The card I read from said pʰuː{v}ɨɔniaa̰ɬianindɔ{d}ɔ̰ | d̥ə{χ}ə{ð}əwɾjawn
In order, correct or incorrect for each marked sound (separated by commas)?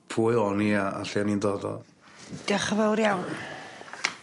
incorrect, correct, correct, incorrect